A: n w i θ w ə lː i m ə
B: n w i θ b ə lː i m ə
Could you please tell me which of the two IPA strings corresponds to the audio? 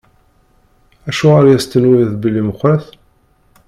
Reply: B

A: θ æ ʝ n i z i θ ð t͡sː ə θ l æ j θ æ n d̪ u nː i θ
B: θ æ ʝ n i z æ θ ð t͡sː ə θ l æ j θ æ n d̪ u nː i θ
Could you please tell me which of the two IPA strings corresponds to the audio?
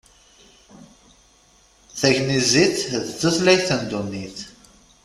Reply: A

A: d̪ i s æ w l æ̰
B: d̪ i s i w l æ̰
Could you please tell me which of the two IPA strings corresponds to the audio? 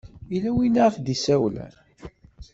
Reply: A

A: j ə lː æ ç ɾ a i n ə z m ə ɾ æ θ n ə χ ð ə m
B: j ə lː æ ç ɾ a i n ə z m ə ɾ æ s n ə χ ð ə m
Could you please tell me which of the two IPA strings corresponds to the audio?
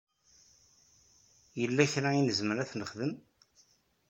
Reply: A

